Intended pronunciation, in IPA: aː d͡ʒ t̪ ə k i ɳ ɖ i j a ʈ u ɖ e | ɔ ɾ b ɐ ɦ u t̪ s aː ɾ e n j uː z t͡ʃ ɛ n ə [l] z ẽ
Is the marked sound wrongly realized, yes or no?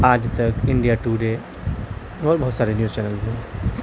no